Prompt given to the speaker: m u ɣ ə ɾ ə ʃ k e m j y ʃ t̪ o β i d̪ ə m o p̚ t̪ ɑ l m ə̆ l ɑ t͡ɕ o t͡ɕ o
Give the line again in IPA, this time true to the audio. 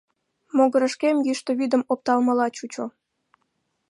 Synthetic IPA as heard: m o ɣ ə ɾ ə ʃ k e m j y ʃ t̪ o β i d̪ ə m o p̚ t̪ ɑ l m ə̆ l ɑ t͡ɕ u t͡ɕ o